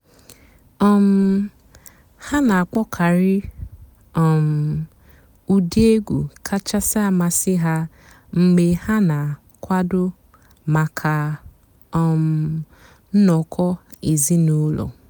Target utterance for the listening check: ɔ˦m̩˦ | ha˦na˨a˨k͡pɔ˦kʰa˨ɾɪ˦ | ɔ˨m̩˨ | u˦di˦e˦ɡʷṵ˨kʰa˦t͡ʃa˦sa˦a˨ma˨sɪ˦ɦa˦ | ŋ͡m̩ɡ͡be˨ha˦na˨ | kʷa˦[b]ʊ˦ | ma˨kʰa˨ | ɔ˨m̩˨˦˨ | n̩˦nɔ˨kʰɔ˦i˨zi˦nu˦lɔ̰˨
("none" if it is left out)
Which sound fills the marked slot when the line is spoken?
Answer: d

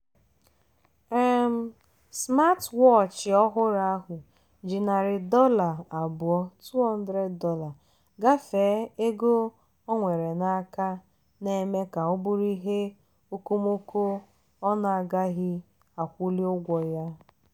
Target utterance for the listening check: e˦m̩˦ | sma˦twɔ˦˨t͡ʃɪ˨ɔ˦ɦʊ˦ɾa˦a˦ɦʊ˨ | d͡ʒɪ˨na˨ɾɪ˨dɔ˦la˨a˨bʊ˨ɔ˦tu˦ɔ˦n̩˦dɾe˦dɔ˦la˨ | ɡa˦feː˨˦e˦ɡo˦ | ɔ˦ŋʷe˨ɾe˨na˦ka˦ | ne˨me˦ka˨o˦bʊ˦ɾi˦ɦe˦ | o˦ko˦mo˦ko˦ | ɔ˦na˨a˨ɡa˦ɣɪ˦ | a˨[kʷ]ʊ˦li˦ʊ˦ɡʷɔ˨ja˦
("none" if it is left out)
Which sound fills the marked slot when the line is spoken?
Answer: kʷ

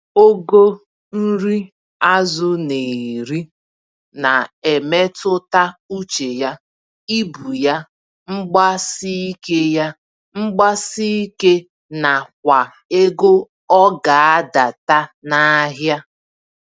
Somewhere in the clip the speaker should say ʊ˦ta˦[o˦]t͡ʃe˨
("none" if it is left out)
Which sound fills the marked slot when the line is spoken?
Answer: u˦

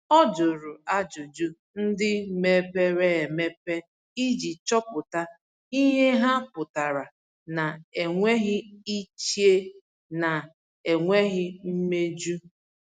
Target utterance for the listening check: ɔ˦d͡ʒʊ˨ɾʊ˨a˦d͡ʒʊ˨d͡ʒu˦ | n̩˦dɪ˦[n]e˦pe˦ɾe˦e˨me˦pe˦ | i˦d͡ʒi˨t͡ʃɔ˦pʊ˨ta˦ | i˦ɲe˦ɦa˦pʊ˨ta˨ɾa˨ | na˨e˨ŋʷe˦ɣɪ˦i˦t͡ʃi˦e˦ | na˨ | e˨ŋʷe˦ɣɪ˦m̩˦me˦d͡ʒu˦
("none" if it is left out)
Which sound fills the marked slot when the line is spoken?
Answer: m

